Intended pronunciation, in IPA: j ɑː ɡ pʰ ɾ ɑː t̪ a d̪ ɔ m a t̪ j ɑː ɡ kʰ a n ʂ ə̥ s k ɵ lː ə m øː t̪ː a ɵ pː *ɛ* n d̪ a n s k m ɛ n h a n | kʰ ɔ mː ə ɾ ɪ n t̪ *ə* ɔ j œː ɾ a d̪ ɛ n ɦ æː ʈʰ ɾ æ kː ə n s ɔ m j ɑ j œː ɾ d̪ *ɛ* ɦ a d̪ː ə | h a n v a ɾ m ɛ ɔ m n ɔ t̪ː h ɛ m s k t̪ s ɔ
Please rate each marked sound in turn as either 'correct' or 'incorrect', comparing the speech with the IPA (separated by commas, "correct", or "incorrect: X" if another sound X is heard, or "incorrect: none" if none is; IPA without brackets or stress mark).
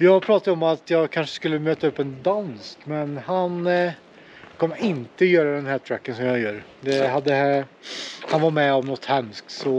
correct, correct, correct